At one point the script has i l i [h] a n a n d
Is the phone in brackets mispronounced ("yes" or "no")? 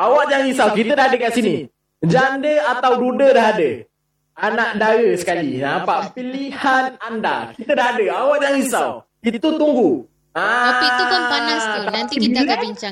no